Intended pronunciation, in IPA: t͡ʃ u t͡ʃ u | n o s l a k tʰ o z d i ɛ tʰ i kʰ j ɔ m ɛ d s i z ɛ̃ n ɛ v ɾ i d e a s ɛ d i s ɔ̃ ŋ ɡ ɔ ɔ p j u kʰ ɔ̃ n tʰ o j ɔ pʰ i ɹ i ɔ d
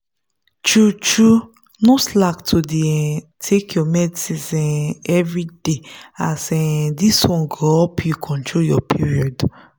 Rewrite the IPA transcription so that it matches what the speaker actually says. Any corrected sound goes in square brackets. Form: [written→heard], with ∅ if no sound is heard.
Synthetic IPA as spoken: t͡ʃ u t͡ʃ u | n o s l a k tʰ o [z→∅] d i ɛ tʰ [i→e] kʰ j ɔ m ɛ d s i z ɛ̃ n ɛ v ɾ i d e a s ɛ d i s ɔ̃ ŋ ɡ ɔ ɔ p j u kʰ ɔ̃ n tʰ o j ɔ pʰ i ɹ i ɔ d